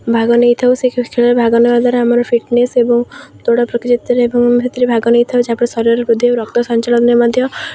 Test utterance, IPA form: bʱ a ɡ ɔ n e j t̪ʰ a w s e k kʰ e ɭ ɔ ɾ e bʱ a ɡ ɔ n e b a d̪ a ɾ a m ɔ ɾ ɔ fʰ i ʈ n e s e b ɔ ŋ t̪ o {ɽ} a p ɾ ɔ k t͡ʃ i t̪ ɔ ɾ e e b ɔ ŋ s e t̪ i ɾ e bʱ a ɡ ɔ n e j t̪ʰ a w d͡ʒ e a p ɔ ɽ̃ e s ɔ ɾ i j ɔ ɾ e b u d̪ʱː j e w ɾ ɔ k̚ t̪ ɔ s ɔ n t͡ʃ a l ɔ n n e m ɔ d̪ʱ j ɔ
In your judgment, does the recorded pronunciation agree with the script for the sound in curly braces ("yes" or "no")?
yes